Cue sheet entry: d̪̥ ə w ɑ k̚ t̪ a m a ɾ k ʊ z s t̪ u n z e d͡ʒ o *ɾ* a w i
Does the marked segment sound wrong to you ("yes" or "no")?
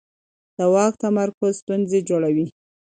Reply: yes